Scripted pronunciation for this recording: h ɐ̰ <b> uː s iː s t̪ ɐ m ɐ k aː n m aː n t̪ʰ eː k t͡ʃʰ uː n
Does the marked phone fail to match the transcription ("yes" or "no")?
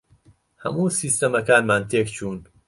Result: yes